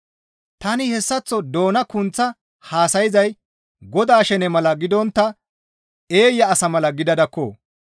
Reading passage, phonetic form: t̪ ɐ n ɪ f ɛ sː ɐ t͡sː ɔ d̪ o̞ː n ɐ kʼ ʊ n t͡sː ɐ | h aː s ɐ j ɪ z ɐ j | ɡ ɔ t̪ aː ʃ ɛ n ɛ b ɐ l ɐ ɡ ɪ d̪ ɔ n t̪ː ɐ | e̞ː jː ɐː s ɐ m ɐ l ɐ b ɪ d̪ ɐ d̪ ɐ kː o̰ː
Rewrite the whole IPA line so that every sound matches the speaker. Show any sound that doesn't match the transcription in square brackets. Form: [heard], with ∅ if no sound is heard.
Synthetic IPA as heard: t̪ ɐ n ɪ [h] ɛ sː ɐ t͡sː ɔ d̪ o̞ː n ɐ [k] ʊ n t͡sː ɐ | h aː s ɐ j ɪ z ɐ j | ɡ ɔ [d̪] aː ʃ ɛ n ɛ [m] ɐ l ɐ ɡ ɪ d̪ ɔ n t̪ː ɐ | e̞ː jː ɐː s ɐ m ɐ l ɐ [ɡ] ɪ d̪ ɐ d̪ ɐ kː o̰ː